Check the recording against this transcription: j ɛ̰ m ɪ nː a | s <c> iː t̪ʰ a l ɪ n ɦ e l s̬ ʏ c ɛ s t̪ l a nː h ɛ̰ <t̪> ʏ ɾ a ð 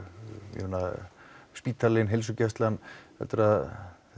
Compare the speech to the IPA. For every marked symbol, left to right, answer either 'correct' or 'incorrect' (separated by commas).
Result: incorrect, correct